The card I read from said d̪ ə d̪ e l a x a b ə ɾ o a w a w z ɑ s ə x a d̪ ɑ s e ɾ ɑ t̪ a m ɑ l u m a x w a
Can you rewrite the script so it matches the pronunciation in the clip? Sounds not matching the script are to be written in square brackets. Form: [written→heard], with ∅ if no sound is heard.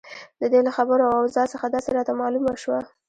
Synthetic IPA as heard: d̪ ə d̪ e l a x a b ə ɾ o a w a w z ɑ s ə x a d̪ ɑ s e ɾ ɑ t̪ a m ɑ l u m a [x→ʃ] w a